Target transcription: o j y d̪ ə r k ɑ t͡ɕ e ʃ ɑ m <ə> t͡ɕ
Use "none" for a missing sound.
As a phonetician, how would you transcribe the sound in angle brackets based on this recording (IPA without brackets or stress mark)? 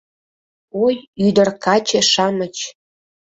ə